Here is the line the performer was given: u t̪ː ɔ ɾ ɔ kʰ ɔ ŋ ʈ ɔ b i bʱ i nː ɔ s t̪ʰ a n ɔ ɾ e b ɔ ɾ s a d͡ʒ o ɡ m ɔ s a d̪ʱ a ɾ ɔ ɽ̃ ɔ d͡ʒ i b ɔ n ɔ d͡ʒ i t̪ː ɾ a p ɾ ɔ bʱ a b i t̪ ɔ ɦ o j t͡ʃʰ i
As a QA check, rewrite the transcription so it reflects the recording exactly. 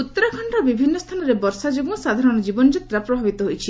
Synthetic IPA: u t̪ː ɔ ɾ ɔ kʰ ɔ ɳ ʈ ɔ b i bʱ i nː ɔ s t̪ʰ a n ɔ ɾ e b ɔ ɾ s a d͡ʒ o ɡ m ɔ s a d̪ʱ a ɾ ɔ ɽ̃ ɔ d͡ʒ i b ɔ n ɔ d͡ʒ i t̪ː ɾ a p ɾ ɔ bʱ a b i t̪ ɔ ɦ o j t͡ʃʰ i